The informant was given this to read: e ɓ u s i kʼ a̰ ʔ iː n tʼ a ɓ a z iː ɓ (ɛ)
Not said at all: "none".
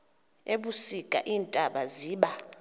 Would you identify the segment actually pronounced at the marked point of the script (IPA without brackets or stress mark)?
a